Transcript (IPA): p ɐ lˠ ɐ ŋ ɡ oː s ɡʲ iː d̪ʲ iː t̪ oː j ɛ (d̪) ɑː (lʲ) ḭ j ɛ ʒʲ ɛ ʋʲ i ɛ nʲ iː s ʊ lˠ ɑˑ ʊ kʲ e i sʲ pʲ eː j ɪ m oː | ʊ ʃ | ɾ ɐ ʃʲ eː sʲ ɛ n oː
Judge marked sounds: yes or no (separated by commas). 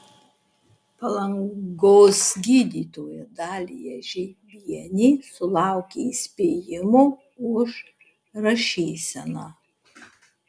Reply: yes, yes